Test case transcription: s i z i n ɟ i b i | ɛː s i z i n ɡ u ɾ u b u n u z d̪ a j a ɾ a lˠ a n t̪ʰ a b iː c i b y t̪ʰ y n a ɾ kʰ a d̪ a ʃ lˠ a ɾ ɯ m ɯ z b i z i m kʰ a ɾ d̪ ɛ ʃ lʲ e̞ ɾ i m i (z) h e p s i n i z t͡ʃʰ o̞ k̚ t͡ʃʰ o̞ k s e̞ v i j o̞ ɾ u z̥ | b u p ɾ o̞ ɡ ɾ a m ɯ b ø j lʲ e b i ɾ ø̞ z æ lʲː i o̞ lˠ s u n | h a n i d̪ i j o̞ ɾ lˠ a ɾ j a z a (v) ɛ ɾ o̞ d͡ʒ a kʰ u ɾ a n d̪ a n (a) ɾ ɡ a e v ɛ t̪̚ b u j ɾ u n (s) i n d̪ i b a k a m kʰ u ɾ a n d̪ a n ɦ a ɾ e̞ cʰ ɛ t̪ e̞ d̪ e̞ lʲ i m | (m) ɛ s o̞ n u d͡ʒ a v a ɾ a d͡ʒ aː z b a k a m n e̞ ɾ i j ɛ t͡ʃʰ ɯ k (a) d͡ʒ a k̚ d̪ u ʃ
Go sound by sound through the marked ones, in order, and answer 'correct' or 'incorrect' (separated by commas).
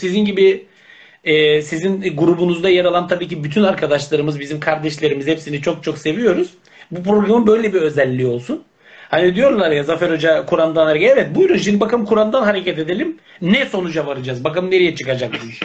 correct, incorrect, correct, incorrect, incorrect, correct